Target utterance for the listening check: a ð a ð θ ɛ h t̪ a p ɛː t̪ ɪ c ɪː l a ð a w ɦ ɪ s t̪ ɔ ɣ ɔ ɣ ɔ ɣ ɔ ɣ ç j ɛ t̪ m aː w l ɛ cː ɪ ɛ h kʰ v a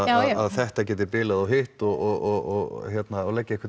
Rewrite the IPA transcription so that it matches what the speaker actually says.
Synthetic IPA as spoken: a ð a ð θ ɛ h t̪ a c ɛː t̪ ɪ p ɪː l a ð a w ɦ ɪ h t̪ ɔ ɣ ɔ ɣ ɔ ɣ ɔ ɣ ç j ɛ t̪ n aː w l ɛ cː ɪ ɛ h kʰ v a

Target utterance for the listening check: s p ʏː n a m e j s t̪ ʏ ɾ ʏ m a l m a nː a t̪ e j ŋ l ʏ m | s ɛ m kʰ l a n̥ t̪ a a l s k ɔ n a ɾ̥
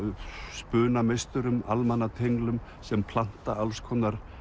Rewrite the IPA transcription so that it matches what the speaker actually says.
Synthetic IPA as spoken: s p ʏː n a m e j s t̪ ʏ ɾ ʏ m a l m a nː a t̪ʰ e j ŋ l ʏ m | s ɛ m pʰ l a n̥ t̪ a a l s kʰ ɔ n a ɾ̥

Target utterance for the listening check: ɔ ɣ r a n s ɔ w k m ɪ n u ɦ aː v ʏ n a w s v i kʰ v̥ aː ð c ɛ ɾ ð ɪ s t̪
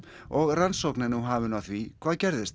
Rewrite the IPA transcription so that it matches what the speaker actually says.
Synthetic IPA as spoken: ɔ ɣ r a n s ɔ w k n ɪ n u ɦ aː v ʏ n a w θ v i kʰ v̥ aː ð c ɛ ɾ ð ɪ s t̪

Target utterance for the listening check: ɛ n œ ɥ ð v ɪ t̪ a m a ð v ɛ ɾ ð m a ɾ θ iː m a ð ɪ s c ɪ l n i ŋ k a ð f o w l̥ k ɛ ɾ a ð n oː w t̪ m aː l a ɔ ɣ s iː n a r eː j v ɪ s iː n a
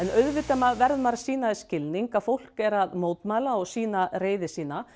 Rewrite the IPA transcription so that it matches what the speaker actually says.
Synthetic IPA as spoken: ɛ n œ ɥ ð v ɪ t̪ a m a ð v ɛ ɾ ð m a ɾ s iː n a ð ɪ s c ɪ l n i ŋ k a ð f o w l̥ k ɛ ɾ a ð m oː w t̪ m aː l a ɔ ɣ s iː n a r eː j ð ɪ s iː n a

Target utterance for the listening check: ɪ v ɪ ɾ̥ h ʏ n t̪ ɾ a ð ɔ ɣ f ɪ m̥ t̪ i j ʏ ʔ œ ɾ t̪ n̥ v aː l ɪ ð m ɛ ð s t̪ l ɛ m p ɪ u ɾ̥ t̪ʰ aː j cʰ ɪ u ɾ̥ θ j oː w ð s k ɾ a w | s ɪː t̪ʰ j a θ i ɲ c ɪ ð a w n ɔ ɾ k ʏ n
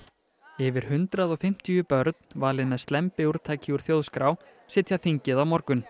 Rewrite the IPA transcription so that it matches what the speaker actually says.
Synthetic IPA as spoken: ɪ v ɪ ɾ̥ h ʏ n t̪ ɾ a ð ɔ ɣ f ɪ m̥ t̪ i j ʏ p œ ɾ t̪ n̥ v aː l ɪ ð m ɛ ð s t̪ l ɛ m p ɪ u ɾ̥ t̪ʰ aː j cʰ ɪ u ɾ̥ θ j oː w ð s k ɾ a w | s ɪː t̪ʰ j a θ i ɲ c ɪ ð a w m ɔ ɾ k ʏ n

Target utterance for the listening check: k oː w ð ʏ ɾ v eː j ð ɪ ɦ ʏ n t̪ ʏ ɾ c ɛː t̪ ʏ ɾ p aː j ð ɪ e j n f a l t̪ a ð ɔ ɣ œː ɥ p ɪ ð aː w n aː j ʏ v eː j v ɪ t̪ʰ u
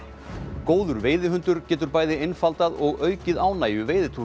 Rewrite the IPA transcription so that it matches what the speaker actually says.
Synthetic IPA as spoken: k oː w ð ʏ ɾ v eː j ð ɪ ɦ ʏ n t̪ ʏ ɾ c ɛː t̪ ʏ ɾ p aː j ð ɪ e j n f a l t̪ a ð ɔ ɣ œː ɥ c ɪ ð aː w n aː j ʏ v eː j ð ɪ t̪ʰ u

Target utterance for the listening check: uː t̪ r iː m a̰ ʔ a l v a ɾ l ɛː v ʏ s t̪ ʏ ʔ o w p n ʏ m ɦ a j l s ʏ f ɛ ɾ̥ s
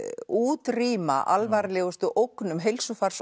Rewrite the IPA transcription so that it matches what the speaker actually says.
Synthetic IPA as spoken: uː t̪ r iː m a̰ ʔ a l v a ɾ l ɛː ɣ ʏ s t̪ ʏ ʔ o w k n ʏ m ɦ e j l s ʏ f a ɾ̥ s

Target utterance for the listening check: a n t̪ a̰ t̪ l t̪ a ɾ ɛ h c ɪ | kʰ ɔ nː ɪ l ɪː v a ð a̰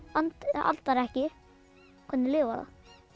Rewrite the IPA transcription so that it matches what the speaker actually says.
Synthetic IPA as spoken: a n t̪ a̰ l t̪ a ɾ ɛ h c ɪ | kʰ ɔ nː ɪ l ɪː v a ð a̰

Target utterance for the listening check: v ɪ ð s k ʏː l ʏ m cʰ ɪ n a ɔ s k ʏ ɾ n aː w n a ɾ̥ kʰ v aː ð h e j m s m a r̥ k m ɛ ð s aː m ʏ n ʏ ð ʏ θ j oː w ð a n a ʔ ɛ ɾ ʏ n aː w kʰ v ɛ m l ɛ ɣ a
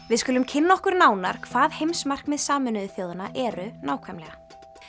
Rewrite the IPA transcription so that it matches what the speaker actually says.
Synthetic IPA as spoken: v ɪ ð s k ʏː l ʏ m cʰ ɪ nː a ɔ h k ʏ ɾ n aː w n a ɾ̥ kʰ v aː ð h e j m s m a r̥ k m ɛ ð s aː m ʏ n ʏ ð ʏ θ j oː w ð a n a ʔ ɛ ɾ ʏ n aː w kʰ v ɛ m l ɛ ɣ a

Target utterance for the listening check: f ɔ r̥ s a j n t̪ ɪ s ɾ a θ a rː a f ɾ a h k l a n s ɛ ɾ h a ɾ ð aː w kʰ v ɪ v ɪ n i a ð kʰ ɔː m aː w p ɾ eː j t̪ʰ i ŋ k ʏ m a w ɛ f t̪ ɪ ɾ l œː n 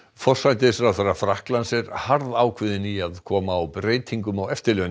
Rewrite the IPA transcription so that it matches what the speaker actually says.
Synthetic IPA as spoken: f ɔ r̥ s a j n t̪ ɪ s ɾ a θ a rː a f ɾ a h k l a n s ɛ ɾ h a ɾ ð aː w kʰ v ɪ ð ɪ n i a ð kʰ ɔː m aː w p ɾ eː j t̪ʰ i ŋ k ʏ m a w ɛ f t̪ ɪ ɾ l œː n

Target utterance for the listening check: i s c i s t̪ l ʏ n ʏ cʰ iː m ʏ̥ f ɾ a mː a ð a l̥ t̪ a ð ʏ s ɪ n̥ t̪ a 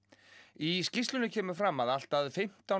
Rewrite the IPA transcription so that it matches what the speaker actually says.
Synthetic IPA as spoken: i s c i s t̪ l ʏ n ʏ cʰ ɛː m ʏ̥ f ɾ a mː a ð a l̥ t̪ a ð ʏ f ɪ m̥ t̪ a

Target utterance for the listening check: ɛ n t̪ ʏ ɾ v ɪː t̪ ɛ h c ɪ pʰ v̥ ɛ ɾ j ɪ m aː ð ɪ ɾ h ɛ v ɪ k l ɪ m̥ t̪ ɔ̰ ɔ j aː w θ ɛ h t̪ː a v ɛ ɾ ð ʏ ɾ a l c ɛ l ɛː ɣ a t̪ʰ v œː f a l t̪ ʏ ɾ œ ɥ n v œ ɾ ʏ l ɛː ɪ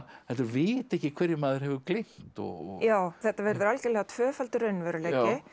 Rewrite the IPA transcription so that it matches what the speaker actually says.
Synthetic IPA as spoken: ɛ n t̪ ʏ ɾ v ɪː t̪ ɛ h c ɪ kʰ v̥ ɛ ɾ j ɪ m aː ð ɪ ɾ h ɛ v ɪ k l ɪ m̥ t̪ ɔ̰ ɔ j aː w θ ɛ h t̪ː a v ɛ ɾ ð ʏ ɾ a l c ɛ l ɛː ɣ a t̪ʰ v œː f a l t̪ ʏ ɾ œ ɥ n v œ ɾ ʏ l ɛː ɪ

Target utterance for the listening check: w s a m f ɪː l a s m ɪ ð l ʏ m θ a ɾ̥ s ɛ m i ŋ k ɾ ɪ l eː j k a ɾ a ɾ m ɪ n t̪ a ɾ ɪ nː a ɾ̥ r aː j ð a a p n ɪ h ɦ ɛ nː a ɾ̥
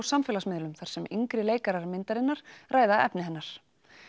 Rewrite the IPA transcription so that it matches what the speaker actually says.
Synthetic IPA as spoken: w s a m f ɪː l a s m ɪ ð l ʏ m θ a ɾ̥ s ɛ m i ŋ k ɾ ɪ l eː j k a ɾ a ɾ m ɪ n t̪ a ɾ ɪ nː a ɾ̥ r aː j ð a ɛ p n ɪ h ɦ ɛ nː a ɾ̥

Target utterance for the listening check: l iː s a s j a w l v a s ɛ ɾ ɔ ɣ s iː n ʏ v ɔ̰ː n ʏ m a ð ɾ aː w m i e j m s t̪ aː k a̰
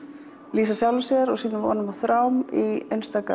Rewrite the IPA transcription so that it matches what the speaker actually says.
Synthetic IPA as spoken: l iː s a s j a w l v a s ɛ ɾ ɔ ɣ s iː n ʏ v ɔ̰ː n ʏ m a θ ɾ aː w m i e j n s t̪ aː k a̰

